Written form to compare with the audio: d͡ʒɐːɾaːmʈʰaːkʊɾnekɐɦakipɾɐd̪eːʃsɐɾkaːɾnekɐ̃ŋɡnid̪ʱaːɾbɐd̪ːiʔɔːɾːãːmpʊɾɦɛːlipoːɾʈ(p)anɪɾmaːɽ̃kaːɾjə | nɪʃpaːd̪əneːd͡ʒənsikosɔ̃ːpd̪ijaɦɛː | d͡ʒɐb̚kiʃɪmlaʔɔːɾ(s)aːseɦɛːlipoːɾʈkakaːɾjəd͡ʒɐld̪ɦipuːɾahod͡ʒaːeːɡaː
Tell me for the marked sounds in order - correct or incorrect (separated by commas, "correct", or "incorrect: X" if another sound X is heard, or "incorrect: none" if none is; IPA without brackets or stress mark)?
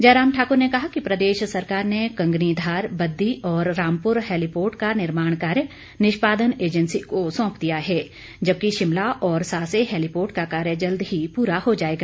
incorrect: k, correct